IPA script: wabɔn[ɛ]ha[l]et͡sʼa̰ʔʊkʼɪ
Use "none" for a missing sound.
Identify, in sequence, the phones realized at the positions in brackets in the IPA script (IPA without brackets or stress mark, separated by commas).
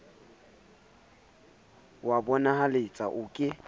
a, l